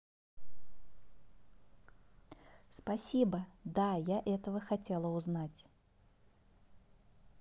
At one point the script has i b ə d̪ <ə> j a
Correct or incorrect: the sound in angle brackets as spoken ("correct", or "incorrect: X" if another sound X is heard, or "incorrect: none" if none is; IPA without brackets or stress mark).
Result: incorrect: a